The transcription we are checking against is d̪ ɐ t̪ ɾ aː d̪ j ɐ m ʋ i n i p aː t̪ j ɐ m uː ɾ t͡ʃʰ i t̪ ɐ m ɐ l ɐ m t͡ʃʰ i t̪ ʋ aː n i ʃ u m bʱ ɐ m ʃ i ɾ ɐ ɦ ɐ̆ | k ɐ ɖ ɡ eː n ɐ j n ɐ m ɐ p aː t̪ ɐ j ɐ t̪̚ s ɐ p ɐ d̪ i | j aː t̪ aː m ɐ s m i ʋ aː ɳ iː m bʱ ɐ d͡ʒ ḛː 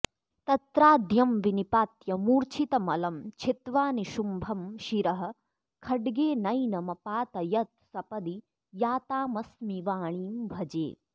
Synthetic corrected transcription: t̪ ɐ t̪ ɾ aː d̪ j ɐ m ʋ i n i p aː t̪ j ɐ m uː ɾ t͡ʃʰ i t̪ ɐ m ɐ l ɐ m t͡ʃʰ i t̪ ʋ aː n i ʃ u m bʱ ɐ m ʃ i ɾ ɐ ɦ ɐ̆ | kʰ ɐ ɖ ɡ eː n ɐ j n ɐ m ɐ p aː t̪ ɐ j ɐ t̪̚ s ɐ p ɐ d̪ i | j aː t̪ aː m ɐ s m i ʋ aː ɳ iː m bʱ ɐ d͡ʒ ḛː